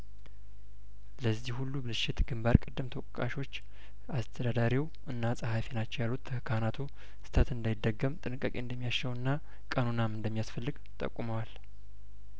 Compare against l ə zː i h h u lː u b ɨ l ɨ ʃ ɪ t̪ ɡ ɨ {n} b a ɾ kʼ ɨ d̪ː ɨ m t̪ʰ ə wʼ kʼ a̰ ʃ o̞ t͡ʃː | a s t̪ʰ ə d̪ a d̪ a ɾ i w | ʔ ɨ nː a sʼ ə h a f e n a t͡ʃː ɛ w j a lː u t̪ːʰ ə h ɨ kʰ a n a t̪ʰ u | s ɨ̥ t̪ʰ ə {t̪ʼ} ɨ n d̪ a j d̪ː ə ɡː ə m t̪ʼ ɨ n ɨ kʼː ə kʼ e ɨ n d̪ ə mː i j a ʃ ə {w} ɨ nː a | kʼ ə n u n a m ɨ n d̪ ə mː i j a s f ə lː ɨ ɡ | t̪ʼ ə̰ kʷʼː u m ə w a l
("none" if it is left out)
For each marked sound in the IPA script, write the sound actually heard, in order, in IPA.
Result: m, t̪, w

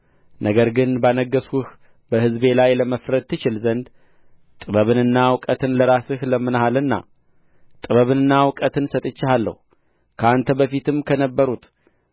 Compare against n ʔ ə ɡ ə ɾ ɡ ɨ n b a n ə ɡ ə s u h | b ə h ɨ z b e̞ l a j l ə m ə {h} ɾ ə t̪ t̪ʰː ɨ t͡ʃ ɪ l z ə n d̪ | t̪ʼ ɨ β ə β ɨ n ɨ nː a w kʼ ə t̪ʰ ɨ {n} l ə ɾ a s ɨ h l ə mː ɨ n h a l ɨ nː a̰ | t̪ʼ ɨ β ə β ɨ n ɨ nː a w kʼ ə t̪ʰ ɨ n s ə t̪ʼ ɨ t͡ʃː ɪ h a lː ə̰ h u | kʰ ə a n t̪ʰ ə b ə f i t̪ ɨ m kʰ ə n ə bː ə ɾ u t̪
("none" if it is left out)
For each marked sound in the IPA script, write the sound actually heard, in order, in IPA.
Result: f, n

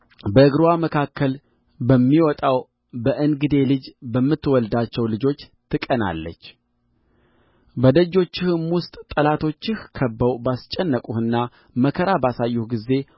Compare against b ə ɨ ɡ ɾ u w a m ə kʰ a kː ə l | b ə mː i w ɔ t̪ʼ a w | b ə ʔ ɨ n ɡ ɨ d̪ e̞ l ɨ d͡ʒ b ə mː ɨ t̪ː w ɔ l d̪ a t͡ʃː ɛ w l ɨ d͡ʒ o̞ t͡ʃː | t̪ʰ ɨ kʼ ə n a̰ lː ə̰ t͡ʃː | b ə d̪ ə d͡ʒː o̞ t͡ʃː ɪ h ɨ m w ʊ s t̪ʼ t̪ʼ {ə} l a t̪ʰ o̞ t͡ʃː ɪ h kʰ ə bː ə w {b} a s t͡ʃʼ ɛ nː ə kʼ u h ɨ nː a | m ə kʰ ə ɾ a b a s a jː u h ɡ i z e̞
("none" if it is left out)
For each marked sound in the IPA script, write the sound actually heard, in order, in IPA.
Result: ə, b

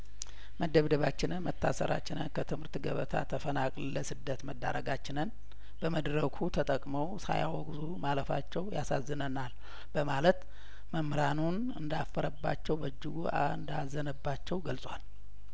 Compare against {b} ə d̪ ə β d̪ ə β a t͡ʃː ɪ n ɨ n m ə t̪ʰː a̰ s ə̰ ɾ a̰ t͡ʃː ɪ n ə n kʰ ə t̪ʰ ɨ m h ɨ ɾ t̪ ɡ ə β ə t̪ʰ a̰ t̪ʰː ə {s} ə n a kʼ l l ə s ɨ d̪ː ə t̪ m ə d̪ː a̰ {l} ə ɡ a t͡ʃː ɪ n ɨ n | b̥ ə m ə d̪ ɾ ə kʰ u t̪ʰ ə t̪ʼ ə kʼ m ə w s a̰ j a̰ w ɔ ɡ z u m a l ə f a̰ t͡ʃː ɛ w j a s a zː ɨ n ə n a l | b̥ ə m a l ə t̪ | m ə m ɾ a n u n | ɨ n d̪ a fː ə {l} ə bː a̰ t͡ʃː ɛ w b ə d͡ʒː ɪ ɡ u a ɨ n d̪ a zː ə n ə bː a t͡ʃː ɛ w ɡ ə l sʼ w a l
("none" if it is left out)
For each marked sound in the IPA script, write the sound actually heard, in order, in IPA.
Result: m, f, ɾ, ɾ

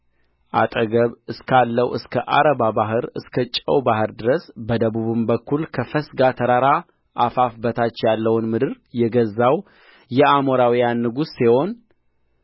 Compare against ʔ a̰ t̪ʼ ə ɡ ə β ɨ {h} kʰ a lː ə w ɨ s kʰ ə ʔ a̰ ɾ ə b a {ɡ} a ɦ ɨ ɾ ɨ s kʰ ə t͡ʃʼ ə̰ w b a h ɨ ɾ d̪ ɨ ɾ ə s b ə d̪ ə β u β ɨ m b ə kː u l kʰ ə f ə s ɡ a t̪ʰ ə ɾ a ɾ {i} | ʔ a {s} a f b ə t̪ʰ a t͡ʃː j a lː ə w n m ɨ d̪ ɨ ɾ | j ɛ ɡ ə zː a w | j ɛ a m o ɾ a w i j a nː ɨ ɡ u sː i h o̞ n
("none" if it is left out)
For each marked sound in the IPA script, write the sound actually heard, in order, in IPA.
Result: s, b, a, f

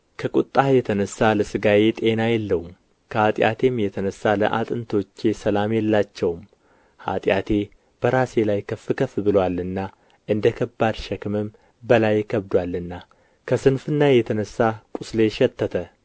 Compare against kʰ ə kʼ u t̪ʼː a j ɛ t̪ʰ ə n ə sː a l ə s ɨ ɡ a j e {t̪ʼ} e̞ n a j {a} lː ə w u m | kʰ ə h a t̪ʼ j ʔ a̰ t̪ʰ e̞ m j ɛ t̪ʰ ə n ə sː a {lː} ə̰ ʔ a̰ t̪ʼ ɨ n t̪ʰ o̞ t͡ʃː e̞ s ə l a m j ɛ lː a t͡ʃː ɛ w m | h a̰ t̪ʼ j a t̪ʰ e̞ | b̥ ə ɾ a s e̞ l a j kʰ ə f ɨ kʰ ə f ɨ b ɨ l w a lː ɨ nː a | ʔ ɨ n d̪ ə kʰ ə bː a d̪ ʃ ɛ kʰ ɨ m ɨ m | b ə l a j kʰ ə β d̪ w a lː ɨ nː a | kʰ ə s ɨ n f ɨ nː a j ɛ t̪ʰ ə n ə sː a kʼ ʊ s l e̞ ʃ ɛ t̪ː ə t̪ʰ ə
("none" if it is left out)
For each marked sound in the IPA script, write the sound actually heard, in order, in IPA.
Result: t̪ʼ, ɛ, l

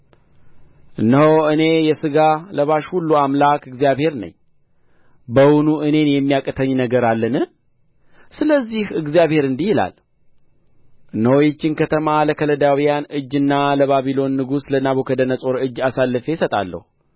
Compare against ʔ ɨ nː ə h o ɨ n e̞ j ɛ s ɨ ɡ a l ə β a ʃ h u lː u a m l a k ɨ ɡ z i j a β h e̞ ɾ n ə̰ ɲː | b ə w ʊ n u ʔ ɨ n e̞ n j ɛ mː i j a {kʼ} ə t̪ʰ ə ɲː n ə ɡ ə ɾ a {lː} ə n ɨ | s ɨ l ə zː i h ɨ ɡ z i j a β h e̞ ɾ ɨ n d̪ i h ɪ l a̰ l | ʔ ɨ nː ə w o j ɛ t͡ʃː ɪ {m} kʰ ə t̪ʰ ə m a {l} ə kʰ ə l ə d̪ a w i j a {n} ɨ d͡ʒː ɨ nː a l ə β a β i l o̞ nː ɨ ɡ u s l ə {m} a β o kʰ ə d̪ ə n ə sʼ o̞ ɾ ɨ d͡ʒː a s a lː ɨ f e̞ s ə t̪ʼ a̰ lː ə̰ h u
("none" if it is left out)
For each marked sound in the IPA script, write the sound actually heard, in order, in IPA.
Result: kʼ, lː, n, l, n, n

